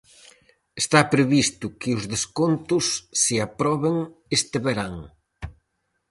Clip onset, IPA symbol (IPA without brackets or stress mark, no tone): e